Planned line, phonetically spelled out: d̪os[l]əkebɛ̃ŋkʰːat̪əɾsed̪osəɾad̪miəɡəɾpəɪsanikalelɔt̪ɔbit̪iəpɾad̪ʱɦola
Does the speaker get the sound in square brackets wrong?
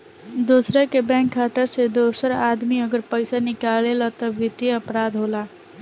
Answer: yes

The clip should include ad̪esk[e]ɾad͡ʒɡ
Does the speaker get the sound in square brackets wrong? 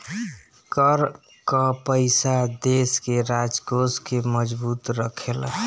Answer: no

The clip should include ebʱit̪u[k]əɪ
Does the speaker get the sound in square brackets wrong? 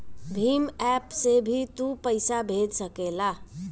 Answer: yes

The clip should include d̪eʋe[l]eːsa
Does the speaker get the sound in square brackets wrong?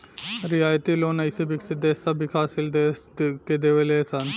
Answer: no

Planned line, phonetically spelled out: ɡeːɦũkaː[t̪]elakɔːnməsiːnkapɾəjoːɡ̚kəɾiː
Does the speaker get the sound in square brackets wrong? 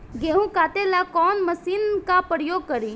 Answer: no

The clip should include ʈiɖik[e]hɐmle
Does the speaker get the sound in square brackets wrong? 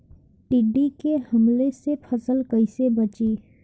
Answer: no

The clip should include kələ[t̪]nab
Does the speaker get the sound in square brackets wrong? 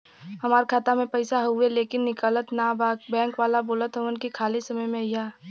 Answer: no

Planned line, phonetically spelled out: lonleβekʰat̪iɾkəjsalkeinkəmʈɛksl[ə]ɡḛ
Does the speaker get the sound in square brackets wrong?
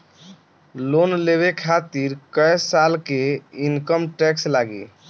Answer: yes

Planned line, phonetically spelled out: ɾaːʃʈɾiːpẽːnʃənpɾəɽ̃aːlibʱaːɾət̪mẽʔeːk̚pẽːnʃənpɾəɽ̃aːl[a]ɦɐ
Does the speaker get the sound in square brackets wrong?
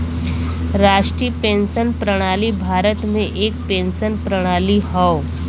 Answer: yes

